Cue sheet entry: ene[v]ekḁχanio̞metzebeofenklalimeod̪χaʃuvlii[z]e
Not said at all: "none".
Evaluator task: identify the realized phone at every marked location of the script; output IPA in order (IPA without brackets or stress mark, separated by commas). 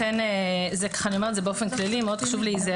z, z